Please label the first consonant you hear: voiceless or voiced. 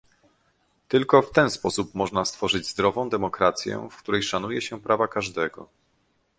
voiceless